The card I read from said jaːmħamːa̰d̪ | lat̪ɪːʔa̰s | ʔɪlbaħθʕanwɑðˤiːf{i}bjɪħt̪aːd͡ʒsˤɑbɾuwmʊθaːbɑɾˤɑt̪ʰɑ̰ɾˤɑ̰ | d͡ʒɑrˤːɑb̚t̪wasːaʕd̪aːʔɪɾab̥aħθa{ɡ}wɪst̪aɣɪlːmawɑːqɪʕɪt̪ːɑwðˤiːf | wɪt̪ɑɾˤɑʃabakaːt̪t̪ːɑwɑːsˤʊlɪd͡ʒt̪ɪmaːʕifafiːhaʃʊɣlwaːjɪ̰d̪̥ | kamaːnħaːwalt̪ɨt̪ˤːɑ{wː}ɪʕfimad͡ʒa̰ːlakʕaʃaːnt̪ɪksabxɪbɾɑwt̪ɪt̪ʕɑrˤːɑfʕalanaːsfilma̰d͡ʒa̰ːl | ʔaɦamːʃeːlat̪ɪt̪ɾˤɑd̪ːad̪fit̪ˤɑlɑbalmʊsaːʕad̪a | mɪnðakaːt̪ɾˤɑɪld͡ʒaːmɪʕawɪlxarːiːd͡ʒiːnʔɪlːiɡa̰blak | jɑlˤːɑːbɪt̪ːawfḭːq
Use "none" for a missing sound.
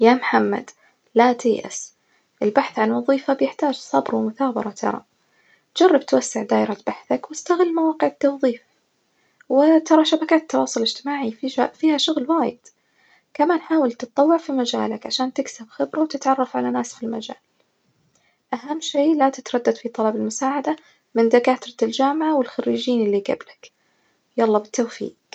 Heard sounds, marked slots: a, k, wː

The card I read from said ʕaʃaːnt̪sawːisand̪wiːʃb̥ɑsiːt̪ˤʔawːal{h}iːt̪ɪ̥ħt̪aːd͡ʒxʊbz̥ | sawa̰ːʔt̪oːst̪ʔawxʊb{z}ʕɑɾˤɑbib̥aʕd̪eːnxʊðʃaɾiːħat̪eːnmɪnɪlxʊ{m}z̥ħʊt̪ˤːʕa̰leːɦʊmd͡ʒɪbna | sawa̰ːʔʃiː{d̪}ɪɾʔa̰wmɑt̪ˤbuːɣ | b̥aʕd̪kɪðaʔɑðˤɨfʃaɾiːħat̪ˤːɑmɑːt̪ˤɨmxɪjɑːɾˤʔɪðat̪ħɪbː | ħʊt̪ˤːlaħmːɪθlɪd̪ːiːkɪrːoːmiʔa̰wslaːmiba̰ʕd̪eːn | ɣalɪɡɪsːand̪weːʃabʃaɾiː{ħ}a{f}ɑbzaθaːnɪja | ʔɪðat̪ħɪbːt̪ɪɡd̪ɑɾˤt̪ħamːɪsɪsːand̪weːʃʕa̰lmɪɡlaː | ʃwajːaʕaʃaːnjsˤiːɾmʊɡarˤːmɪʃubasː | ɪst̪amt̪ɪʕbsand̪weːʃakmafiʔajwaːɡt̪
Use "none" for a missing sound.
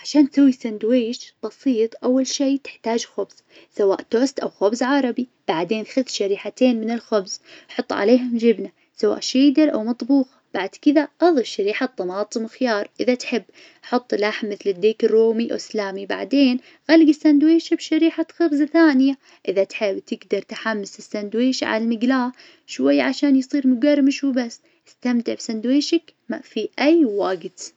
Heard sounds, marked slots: ʃ, z, b, d̪, ħ, x

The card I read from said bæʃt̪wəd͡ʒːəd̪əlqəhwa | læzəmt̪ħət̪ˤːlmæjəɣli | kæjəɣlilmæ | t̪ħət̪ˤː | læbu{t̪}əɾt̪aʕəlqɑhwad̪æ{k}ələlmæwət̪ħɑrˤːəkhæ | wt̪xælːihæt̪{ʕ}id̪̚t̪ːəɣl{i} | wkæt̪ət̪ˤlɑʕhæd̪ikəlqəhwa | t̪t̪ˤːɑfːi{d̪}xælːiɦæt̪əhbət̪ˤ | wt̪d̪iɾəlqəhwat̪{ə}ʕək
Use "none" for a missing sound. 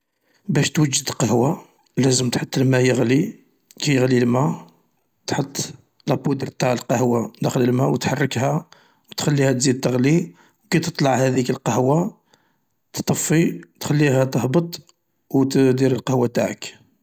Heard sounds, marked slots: d̪, x, z, i, t̪, a

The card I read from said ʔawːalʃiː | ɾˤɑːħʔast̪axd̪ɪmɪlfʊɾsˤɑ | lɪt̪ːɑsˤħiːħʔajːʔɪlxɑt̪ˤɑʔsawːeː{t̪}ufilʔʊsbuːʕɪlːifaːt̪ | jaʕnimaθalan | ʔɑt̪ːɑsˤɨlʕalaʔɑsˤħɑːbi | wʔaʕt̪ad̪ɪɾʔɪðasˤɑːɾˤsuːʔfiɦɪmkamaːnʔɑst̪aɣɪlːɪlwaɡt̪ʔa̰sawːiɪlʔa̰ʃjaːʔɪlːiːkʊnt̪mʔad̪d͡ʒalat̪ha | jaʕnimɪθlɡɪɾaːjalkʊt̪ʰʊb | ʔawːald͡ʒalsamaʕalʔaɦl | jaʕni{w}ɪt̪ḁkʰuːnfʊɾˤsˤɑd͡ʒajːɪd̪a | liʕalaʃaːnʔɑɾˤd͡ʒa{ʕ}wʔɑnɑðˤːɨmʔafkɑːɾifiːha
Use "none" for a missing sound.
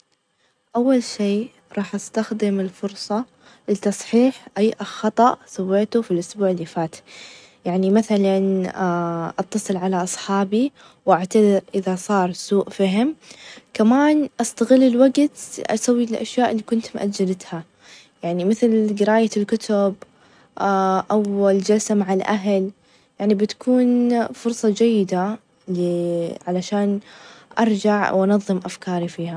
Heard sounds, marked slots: t̪, b, ʕ

